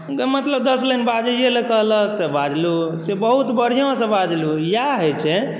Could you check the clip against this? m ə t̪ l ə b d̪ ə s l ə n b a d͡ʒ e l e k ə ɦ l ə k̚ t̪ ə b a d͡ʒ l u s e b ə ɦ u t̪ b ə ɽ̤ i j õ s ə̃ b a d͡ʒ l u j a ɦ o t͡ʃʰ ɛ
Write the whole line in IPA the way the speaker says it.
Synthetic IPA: m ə t̪ l ə b d̪ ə s l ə n b a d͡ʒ e l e k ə ɦ l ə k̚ t̪ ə b a d͡ʒ l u s e b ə ɦ u t̪ b ə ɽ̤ i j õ s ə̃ b a d͡ʒ l u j a ɦ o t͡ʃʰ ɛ

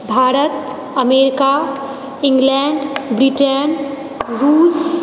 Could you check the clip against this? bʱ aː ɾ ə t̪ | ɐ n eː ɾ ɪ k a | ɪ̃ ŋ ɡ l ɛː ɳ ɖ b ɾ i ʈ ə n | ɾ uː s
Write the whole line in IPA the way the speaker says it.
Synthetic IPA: bʱ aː ɾ ə t̪ | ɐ m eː ɾ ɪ k a | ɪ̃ ŋ ɡ l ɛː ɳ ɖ b ɾ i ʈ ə n | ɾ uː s

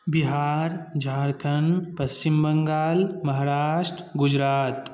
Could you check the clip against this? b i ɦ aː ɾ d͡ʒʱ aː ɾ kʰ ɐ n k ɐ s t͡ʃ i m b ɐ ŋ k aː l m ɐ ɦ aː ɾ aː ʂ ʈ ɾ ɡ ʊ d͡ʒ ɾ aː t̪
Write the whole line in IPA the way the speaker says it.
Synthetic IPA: b i ɦ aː ɾ d͡ʒʱ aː ɾ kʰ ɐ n p ɐ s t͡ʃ i m b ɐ ŋ ɡ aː l m ɐ ɦ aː ɾ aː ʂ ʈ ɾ ɡ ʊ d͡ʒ ɾ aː t̪

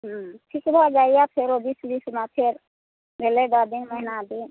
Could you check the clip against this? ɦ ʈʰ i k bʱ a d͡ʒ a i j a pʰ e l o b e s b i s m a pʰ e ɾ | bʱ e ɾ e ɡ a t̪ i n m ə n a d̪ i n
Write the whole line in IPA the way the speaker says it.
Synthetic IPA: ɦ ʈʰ i k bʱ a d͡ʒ a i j a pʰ e ɾ o b i s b i s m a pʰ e ɾ | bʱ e l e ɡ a d̪ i n m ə n a d̪ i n

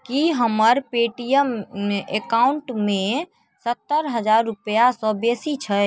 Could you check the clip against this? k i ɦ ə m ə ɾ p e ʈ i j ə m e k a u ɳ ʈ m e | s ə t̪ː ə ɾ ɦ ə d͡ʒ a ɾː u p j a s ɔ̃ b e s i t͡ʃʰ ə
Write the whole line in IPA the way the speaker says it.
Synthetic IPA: k i ɦ ə m ə ɾ p e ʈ i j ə m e k a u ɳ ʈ m e | s ə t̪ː ə ɾ ɦ ə d͡ʒ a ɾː u p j a s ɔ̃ b e s i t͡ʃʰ ə

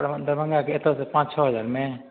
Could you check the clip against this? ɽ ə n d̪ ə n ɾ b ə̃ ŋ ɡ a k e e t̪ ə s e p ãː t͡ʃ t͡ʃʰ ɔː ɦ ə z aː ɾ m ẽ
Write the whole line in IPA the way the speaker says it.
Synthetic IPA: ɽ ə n d̪ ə ɾ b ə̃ ŋ ɡ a k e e t̪ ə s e p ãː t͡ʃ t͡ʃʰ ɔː ɦ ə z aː ɾ m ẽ

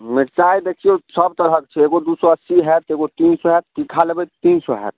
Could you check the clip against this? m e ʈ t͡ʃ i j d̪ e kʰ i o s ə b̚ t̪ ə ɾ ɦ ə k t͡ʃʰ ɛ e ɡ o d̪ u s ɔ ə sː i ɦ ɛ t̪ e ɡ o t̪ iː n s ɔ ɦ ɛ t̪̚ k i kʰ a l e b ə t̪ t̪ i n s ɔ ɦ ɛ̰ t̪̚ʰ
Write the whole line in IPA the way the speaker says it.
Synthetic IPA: m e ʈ t͡ʃ a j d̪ e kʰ i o s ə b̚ t̪ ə ɾ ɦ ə k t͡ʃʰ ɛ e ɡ o d̪ u s ɔ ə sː i ɦ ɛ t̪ e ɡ o t̪ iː n s ɔ ɦ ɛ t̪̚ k i kʰ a l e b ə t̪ t̪ i n s ɔ ɦ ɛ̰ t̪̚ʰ

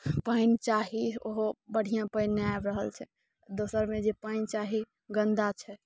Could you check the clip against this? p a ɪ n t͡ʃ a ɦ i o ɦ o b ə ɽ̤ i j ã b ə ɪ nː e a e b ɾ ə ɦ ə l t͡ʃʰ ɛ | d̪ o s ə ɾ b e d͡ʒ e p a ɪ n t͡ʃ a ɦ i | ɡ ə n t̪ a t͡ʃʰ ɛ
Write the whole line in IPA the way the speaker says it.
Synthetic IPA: p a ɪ n t͡ʃ a ɦ i o ɦ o b ə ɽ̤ i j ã p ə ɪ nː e a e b ɾ ə ɦ ə l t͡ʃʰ ɛ | d̪ o s ə ɾ m e d͡ʒ e p a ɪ n t͡ʃ a ɦ i | ɡ ə n d̪ a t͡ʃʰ ɛ

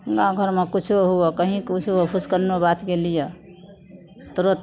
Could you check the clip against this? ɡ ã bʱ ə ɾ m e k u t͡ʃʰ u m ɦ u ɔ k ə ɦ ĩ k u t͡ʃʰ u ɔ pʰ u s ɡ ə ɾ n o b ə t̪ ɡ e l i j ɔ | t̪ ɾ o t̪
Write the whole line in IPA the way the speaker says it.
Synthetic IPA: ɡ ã ɡʱ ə ɾ m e k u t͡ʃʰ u ɦ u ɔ k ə ɦ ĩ k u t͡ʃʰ u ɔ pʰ u s k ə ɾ n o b a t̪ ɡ e l i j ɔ | t̪ ɾ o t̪

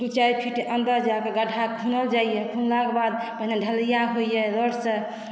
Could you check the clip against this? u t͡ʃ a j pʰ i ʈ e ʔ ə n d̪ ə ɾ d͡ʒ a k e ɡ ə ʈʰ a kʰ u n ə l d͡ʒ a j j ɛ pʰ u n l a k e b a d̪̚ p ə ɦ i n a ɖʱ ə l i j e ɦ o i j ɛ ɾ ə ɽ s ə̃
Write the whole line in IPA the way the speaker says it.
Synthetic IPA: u t͡ʃ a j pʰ i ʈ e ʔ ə n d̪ ə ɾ d͡ʒ a k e ɡ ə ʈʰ a kʰ u n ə l d͡ʒ a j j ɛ kʰ u n l a k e b a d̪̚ p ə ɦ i n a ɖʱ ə l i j a ɦ o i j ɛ ɾ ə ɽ s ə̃

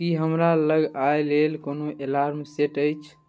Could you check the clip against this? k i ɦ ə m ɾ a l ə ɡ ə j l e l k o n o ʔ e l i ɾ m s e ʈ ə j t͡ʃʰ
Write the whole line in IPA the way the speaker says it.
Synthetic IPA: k i ɦ ə m ɾ a l ə ɡ a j l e l k o n o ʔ e l a ɾ m s e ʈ ə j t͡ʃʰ

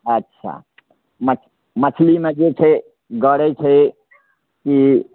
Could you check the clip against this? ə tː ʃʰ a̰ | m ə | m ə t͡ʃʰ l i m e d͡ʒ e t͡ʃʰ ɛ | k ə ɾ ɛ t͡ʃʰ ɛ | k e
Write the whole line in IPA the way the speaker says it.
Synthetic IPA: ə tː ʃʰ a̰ | m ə | m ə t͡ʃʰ l i m e d͡ʒ e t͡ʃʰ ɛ | ɡ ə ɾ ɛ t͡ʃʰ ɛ | k i

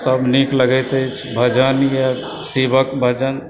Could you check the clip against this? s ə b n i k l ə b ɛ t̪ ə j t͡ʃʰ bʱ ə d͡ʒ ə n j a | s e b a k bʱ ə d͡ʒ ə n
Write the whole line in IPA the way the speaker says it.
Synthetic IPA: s ə b n i k l ə ɡ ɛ t̪ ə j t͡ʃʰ bʱ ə d͡ʒ ə n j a | s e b ə k bʱ ə d͡ʒ ə n

